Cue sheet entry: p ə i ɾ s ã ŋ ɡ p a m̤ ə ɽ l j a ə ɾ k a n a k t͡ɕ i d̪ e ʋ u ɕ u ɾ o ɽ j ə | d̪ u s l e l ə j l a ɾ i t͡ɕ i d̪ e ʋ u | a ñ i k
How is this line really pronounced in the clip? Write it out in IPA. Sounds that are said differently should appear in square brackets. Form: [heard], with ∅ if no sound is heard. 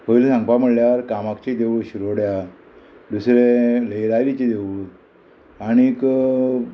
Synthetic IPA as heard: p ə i [l] s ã ŋ ɡ p a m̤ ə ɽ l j a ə ɾ k a [m] a k t͡ɕ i d̪ e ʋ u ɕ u ɾ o ɽ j [a] | d̪ u s [ɾ] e l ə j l a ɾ i t͡ɕ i d̪ e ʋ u | a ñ i k